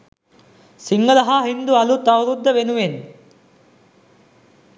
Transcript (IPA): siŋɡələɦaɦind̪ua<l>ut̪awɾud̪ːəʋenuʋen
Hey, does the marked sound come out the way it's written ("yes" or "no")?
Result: yes